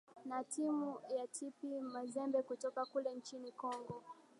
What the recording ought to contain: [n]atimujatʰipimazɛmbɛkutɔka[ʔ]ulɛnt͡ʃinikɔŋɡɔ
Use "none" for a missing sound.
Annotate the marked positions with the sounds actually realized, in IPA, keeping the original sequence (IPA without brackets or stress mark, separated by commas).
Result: n, k